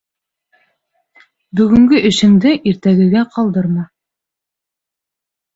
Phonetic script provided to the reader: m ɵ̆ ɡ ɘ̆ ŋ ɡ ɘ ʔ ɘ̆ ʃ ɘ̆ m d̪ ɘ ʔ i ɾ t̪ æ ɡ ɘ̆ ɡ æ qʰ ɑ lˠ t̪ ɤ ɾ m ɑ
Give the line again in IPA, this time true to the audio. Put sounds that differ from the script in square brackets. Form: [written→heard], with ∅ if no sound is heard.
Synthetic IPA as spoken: [m→b] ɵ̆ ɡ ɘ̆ ŋ ɡ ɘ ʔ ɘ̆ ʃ ɘ̆ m d̪ ɘ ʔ i ɾ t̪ æ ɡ ɘ̆ ɡ æ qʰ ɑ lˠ [t̪→d̪] ɤ ɾ m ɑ